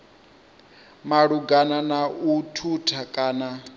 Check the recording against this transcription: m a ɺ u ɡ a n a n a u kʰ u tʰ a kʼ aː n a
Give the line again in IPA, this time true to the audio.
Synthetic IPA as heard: m a ɺ u ɡ a n a n a u tʰ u tʰ a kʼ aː n a